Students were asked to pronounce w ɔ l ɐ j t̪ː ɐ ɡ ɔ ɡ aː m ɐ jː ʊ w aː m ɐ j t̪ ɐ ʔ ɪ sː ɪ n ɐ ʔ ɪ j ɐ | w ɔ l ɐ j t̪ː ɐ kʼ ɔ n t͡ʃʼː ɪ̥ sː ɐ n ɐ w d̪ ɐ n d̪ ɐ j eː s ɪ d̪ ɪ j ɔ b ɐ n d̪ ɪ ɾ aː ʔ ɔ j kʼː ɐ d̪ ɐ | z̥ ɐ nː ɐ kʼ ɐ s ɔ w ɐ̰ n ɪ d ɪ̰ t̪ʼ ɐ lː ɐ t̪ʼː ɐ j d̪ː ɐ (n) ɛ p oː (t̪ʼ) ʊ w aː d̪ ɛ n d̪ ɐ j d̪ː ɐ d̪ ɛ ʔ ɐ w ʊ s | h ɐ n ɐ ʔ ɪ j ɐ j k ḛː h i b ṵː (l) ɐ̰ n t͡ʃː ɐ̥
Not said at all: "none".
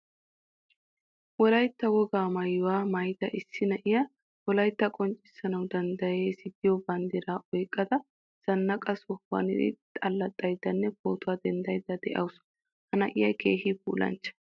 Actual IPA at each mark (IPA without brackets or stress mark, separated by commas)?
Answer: nː, t̪, l